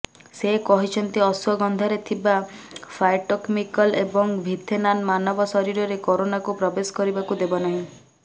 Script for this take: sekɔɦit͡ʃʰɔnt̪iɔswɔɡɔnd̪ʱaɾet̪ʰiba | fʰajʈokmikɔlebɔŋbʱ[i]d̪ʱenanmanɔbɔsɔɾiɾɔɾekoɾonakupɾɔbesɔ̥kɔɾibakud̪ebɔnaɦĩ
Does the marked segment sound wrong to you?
no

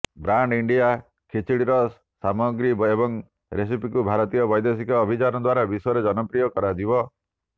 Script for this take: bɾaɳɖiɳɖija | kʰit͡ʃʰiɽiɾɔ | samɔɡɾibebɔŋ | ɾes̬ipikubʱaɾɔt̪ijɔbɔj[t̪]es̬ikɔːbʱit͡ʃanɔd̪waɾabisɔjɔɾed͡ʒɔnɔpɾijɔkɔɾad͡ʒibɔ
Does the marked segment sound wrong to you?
yes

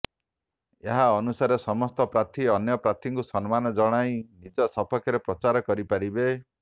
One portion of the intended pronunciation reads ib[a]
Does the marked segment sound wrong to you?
yes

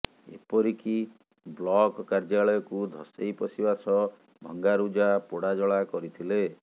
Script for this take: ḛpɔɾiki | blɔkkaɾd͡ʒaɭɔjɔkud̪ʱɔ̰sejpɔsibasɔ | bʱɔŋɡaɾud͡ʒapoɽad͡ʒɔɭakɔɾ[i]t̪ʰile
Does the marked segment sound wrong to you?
no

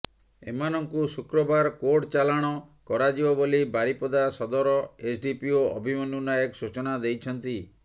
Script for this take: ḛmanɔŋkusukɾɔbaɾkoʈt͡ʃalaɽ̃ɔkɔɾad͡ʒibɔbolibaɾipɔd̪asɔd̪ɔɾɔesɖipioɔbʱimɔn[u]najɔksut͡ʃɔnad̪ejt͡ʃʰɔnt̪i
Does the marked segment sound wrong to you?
no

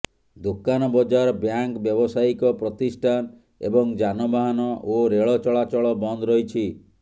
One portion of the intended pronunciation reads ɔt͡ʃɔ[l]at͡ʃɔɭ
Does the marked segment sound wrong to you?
yes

